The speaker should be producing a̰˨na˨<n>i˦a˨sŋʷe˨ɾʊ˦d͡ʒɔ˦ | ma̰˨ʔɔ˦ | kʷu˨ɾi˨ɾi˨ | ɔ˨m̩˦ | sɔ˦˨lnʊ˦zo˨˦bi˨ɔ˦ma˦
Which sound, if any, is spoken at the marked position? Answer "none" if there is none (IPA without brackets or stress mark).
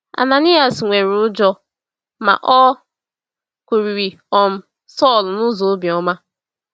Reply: n